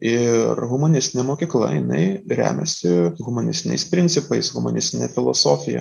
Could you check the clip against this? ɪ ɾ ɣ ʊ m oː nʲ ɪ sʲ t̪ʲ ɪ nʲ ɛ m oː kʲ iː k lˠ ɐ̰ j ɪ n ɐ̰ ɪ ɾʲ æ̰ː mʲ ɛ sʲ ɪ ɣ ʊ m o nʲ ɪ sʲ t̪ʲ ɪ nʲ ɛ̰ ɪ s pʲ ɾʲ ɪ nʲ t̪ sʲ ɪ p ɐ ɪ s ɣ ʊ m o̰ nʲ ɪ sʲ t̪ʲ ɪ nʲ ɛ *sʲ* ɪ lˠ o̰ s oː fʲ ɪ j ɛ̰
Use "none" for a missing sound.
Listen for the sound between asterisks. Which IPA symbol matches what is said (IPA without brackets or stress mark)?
fʲ